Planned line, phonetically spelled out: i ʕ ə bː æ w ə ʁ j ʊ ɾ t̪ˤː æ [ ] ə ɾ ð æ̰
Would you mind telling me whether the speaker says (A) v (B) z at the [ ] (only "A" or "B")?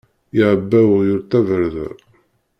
A